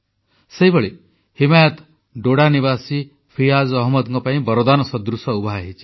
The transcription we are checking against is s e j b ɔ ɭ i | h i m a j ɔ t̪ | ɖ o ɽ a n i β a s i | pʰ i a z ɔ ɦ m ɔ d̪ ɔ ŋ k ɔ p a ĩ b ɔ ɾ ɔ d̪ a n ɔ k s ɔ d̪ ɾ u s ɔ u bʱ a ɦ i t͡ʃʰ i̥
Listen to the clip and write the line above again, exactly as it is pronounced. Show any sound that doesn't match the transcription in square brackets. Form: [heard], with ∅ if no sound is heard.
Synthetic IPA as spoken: s e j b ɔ ɭ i | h i m a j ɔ t̪ | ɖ o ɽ a n i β a s i | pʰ i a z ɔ ɦ m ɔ d̪ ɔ ŋ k ɔ p a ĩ b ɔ ɾ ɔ d̪ a n ɔ [∅] s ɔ d̪ ɾ u s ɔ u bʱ a ɦ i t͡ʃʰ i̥

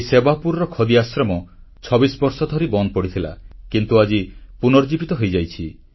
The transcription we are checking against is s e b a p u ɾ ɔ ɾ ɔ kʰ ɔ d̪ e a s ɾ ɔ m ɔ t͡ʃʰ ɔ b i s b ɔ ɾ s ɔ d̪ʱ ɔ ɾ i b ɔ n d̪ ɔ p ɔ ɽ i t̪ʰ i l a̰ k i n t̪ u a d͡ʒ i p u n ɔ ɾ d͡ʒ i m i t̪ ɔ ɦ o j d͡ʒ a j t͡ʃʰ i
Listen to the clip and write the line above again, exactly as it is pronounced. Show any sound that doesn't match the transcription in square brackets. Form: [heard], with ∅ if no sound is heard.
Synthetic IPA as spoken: s e b a p u ɾ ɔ ɾ ɔ kʰ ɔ d̪ [i] a s ɾ ɔ m ɔ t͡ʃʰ ɔ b i s b ɔ ɾ s ɔ d̪ʱ ɔ ɾ i b ɔ n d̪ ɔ p ɔ ɽ i t̪ʰ i l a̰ k i n t̪ u a d͡ʒ i p u n ɔ ɾ d͡ʒ i [b] i t̪ ɔ ɦ o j d͡ʒ a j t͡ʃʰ i

